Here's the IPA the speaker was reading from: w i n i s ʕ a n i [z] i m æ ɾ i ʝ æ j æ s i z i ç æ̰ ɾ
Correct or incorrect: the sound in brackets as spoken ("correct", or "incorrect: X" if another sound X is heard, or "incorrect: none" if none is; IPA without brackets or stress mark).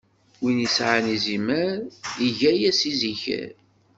correct